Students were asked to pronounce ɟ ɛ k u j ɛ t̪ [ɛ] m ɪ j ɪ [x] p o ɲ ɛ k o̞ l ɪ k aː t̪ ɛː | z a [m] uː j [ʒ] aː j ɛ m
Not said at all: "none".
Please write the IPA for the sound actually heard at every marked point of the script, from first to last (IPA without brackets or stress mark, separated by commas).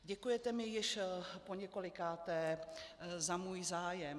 ɛ, ʃ, m, z